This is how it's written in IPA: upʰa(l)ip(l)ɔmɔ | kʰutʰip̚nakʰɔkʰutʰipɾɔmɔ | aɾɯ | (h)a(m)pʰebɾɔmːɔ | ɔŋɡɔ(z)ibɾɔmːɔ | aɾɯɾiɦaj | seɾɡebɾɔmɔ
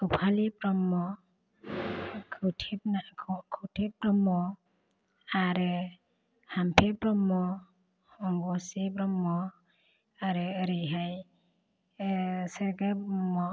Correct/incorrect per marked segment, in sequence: correct, incorrect, correct, correct, incorrect

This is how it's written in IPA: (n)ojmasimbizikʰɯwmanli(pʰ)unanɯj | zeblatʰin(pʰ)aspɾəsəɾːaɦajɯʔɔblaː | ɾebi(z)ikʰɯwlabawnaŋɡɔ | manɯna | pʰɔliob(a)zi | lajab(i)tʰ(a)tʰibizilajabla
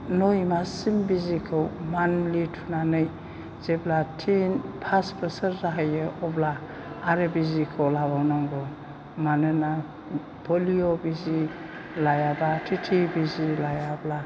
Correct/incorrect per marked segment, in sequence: correct, incorrect, correct, correct, incorrect, incorrect, incorrect

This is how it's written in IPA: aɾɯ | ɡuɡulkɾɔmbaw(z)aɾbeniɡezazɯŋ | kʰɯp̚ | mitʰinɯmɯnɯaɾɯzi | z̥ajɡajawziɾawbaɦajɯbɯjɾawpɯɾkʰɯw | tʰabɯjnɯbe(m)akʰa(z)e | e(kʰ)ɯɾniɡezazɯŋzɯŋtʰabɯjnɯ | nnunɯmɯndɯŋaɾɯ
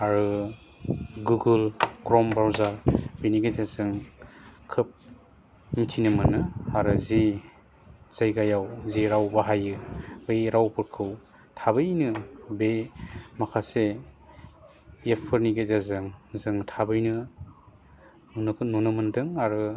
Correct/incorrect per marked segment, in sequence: correct, correct, incorrect, incorrect

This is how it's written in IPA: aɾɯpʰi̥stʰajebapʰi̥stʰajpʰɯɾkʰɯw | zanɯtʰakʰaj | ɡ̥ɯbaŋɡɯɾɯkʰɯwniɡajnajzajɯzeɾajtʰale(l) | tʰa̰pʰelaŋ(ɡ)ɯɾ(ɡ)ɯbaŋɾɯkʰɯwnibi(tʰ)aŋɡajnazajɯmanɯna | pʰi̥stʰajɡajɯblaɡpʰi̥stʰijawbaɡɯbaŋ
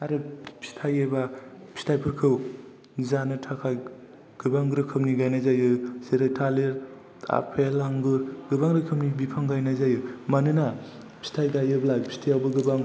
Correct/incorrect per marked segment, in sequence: incorrect, correct, correct, incorrect

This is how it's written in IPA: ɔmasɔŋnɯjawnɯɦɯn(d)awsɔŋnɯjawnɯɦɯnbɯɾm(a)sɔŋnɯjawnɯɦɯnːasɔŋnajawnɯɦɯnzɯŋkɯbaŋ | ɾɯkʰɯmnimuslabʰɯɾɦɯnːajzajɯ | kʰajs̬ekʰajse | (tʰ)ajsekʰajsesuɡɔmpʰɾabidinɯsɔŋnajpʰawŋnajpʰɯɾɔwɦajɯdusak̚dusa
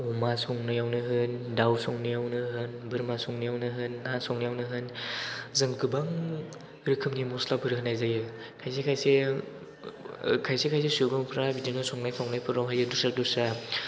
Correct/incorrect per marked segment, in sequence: correct, correct, incorrect

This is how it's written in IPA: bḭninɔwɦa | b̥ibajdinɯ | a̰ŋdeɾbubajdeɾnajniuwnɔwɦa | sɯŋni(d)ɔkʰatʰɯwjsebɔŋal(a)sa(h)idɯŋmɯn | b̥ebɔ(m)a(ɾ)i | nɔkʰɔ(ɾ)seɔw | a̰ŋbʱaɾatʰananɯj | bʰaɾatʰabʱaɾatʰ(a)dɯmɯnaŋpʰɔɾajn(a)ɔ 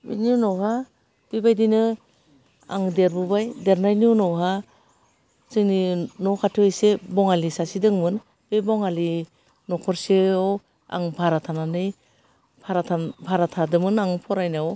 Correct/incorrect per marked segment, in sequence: incorrect, incorrect, incorrect, incorrect, incorrect, correct, correct, correct

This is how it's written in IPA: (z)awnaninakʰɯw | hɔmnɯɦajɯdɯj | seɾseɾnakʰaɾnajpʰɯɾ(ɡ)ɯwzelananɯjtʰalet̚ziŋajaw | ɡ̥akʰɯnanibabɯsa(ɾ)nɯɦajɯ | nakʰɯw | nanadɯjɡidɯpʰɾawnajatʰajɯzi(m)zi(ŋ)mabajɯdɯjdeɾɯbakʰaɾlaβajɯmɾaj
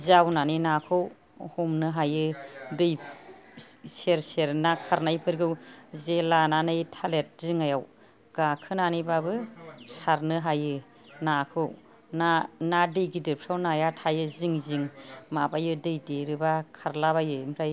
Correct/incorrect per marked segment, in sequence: correct, correct, correct, incorrect, correct

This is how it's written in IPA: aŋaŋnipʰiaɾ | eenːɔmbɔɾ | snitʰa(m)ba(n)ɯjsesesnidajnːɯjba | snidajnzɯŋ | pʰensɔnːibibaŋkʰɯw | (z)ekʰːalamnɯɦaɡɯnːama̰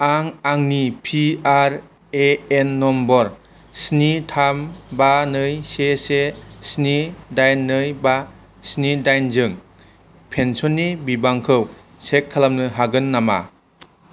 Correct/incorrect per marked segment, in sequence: correct, correct, incorrect

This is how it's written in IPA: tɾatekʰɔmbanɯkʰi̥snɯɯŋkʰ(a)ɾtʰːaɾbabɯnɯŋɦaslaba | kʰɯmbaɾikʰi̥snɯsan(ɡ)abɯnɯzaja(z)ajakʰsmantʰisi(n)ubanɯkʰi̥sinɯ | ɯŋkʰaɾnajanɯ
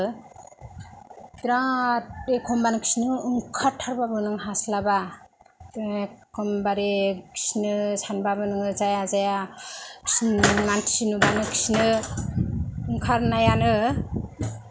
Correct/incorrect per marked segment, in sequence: correct, incorrect, correct, correct

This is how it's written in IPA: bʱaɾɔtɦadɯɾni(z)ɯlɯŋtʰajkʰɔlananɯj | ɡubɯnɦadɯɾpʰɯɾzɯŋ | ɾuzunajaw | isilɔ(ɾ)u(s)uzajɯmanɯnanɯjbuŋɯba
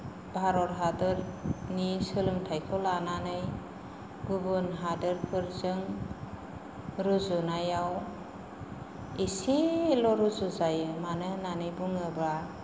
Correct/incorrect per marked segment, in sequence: incorrect, correct, incorrect

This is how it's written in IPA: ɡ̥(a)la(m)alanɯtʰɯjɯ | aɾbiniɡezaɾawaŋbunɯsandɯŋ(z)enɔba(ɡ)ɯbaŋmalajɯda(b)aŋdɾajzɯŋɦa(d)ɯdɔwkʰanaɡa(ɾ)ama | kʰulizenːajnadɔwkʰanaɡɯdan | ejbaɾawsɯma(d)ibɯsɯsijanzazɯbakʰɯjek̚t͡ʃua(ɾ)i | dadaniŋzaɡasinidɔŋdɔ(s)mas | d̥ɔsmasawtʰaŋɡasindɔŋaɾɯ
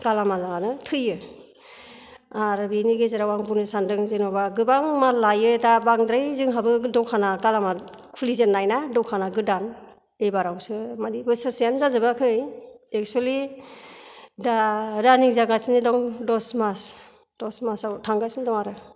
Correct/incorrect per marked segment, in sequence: correct, correct, correct, correct, correct, incorrect, incorrect, correct, incorrect, correct

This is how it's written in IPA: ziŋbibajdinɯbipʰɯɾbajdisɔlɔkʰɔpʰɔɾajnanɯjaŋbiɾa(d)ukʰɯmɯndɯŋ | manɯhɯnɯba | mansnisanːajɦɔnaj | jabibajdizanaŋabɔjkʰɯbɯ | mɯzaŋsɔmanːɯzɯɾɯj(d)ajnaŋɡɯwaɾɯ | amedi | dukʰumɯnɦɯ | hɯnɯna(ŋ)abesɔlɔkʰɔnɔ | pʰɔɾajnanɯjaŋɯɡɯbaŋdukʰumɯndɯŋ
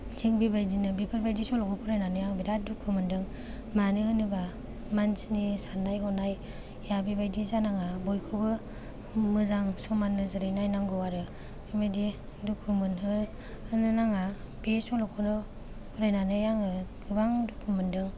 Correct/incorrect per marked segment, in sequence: correct, incorrect, correct

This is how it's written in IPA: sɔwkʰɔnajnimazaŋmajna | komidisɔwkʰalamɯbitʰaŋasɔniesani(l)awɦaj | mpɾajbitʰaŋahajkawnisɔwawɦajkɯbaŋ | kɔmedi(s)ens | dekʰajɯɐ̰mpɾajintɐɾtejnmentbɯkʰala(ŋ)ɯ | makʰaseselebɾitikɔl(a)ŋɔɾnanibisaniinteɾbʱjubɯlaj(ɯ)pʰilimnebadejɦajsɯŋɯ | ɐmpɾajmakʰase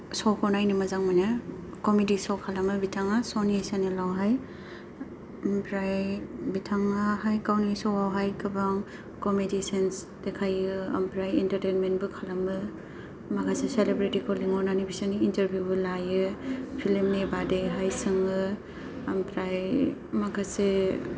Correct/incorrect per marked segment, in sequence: correct, correct, incorrect, incorrect, correct

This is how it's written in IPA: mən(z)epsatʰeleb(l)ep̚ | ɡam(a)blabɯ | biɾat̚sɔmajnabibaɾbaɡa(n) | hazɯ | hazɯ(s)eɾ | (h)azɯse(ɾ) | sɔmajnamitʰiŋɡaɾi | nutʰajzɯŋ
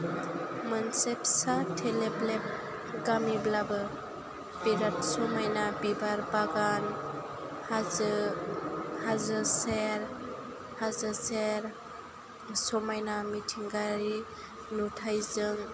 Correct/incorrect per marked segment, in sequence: incorrect, correct, incorrect, correct, correct, correct, correct

